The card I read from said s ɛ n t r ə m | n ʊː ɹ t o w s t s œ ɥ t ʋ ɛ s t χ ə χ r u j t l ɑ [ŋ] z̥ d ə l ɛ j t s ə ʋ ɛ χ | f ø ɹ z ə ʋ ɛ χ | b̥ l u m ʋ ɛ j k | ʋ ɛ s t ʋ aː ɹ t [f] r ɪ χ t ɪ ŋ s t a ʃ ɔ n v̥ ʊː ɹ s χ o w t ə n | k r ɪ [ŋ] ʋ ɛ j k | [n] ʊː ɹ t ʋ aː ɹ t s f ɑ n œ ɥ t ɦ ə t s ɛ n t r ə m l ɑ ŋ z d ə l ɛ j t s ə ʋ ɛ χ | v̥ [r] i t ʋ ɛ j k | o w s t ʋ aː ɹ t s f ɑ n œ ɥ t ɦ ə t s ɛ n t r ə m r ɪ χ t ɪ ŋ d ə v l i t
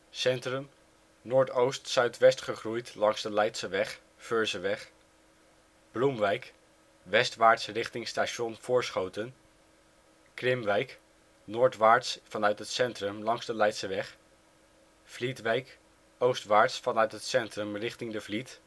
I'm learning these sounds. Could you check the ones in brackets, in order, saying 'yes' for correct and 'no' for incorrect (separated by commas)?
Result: yes, no, no, yes, no